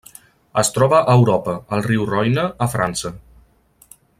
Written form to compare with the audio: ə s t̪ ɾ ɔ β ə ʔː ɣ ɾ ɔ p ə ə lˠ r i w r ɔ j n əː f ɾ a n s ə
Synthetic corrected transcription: ə s t̪ ɾ ɔ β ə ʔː w ɾ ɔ p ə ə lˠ r i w r ɔ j n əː f ɾ a n s ə